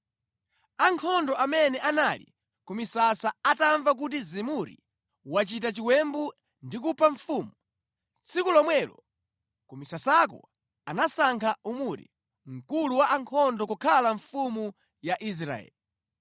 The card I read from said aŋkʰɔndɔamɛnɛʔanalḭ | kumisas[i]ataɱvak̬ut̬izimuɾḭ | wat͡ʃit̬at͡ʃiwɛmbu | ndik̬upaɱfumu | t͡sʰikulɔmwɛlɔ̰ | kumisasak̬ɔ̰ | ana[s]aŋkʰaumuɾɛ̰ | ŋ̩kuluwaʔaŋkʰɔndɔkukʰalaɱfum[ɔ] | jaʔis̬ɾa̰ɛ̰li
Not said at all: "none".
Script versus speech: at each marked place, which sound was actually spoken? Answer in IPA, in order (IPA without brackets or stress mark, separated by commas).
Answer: a, s, u